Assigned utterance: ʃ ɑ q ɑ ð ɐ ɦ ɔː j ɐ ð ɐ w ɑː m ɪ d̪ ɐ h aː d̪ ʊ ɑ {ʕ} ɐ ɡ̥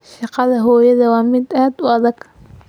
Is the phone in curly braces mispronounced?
yes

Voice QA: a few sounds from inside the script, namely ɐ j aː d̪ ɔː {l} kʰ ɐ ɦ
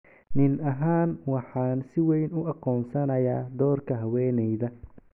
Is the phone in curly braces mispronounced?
yes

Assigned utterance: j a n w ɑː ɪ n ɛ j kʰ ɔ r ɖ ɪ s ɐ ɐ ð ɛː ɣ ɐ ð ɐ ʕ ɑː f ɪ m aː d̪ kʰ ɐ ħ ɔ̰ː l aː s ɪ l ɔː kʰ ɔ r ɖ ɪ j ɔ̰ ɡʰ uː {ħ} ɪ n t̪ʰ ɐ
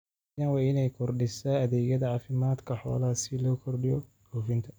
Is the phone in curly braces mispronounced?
yes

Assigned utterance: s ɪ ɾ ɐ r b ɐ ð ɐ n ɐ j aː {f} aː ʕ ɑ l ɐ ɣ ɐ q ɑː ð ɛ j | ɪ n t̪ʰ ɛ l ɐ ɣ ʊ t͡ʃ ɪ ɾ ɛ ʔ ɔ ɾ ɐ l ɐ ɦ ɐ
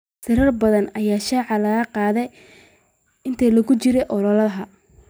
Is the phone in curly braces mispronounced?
yes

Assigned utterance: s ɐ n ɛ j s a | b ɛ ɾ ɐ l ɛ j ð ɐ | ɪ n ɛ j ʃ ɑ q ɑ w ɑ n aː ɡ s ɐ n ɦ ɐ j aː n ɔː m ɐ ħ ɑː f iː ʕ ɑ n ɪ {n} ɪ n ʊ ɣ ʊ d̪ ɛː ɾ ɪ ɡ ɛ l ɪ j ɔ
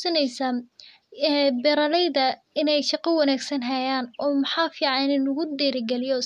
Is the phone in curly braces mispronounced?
no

